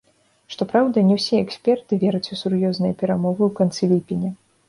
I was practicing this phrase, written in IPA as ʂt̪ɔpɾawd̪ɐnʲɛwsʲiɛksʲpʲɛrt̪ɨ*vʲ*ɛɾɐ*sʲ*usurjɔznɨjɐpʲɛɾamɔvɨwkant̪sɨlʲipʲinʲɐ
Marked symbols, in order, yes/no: yes, no

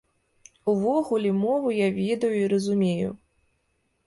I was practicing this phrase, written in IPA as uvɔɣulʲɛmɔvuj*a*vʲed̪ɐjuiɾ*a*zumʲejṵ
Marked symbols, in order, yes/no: yes, no

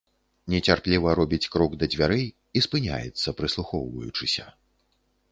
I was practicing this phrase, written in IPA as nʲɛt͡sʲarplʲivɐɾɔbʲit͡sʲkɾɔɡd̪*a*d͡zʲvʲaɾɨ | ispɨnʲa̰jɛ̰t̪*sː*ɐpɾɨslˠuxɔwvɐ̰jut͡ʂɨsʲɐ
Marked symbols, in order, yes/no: no, yes

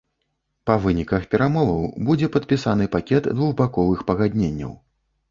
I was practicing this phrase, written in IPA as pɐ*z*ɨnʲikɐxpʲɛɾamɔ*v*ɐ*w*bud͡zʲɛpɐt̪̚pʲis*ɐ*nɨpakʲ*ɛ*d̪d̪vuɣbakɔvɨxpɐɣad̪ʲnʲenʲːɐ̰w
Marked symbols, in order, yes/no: no, yes, yes, no, yes

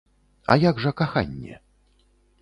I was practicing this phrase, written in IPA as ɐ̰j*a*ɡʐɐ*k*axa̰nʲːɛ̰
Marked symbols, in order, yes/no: yes, yes

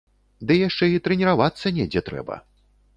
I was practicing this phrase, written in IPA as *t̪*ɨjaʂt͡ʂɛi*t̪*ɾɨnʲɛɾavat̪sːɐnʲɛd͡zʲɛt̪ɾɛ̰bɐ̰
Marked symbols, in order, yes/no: no, yes

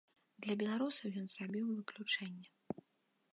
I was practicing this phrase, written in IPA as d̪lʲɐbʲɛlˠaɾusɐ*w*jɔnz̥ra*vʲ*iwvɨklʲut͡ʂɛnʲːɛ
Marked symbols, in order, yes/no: yes, no

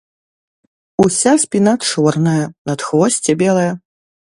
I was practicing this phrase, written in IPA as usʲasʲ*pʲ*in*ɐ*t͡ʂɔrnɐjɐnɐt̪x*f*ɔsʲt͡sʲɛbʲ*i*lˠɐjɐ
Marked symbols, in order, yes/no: yes, no, no, no

